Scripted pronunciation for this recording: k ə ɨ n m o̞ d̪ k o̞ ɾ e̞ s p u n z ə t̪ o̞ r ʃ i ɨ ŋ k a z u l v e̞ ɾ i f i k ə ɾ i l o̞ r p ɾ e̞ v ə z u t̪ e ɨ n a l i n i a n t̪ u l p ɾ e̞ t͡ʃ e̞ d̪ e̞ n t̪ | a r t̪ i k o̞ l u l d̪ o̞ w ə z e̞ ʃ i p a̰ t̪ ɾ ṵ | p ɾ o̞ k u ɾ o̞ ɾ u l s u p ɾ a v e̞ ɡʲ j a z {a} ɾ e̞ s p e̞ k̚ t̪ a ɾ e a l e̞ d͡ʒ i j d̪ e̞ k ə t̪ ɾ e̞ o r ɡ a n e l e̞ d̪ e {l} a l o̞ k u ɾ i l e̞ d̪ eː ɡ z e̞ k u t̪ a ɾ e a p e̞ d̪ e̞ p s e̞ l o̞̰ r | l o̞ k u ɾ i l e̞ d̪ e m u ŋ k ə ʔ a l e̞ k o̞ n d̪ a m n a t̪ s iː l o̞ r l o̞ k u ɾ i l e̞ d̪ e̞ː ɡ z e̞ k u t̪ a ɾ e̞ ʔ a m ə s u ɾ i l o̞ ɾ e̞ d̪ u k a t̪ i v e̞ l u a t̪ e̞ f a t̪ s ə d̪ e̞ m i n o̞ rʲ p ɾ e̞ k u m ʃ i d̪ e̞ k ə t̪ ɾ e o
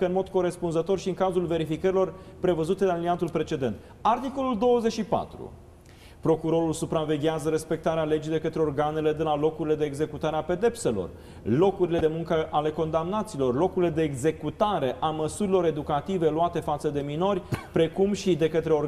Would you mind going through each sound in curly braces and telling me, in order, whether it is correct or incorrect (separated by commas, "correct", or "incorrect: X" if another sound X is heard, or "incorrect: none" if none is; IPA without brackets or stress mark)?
incorrect: ə, correct